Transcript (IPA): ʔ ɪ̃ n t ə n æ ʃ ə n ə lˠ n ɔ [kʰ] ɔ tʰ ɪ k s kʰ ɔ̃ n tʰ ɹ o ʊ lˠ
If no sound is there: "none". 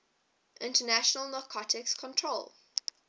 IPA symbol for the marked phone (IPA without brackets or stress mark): kʰ